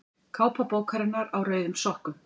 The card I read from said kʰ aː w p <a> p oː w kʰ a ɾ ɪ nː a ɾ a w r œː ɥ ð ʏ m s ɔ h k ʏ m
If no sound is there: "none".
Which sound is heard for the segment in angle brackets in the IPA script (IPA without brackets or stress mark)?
a